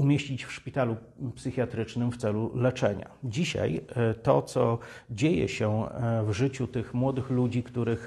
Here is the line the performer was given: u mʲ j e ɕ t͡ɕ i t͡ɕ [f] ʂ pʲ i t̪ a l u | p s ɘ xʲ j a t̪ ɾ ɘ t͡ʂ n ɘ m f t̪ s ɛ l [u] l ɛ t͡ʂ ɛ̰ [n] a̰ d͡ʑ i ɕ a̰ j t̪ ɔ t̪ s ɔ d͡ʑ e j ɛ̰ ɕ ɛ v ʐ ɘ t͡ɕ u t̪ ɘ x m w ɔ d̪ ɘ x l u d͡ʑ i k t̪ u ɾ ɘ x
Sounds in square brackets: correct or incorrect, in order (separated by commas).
correct, correct, incorrect